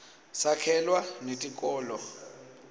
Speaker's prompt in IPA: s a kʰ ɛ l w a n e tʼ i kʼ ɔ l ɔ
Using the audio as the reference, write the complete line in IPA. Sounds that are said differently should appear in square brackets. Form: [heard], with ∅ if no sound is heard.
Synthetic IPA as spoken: s a kʰ ɛ l w a n e tʼ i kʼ [ɔː] l ɔ